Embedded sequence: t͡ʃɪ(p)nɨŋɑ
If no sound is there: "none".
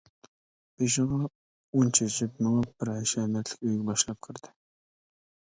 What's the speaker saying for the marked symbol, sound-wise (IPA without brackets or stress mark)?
p